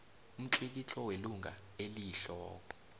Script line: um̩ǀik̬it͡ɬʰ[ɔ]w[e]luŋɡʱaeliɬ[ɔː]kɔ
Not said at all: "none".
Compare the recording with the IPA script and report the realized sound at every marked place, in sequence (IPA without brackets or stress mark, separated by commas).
ɔ, e, ɔː